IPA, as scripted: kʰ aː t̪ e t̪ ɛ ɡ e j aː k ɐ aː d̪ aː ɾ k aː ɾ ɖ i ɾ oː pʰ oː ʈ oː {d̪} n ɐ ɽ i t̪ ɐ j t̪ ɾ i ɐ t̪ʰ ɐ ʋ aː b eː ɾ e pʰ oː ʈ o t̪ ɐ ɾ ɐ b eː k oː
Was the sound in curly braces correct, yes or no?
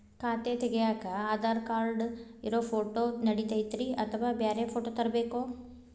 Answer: no